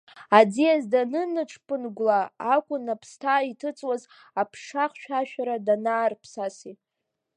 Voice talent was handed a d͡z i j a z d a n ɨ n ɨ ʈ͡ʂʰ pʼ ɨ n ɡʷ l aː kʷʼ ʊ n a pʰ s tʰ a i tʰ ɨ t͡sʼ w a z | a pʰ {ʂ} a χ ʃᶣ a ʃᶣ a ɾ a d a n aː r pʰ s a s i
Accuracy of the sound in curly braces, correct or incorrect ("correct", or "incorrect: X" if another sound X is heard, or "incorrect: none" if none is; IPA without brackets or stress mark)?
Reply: correct